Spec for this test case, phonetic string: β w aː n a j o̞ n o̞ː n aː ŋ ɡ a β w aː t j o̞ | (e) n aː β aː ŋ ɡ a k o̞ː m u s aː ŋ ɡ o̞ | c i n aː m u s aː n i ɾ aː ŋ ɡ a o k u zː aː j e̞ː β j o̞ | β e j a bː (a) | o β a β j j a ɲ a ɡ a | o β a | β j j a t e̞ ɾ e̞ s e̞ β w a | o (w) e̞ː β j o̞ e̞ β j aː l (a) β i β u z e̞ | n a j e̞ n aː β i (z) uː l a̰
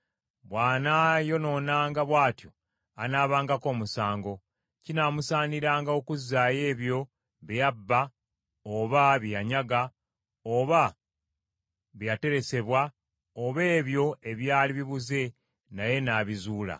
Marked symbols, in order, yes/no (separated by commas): no, yes, no, no, yes